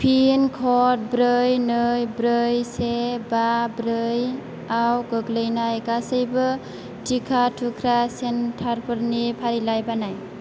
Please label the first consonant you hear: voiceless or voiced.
voiceless